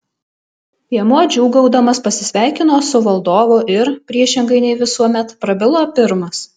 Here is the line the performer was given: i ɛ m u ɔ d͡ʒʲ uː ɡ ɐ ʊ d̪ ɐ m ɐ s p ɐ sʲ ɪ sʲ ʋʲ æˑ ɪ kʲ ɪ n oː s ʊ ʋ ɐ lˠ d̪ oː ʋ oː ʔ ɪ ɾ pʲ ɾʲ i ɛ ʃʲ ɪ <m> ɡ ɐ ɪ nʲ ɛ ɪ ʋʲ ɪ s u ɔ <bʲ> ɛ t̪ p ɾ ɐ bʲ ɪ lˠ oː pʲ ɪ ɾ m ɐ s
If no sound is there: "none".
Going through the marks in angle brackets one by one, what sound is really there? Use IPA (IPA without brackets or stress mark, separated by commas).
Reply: ŋ, mʲ